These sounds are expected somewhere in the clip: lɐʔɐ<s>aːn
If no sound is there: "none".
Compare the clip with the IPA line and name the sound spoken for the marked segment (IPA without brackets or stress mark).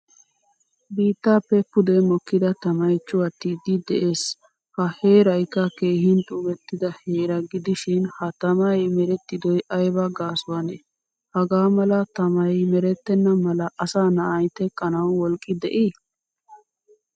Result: s